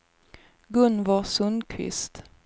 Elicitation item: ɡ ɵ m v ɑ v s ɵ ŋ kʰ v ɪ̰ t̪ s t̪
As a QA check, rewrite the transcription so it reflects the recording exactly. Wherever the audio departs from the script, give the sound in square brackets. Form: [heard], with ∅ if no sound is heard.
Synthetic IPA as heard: ɡ ɵ [n] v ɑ [∅] s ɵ [n] kʰ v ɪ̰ [∅] s t̪